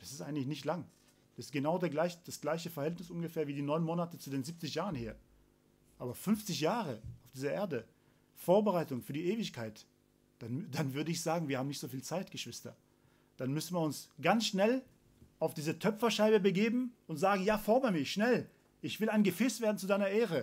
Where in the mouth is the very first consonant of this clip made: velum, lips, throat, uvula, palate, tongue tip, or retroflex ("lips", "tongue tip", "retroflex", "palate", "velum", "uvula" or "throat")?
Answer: tongue tip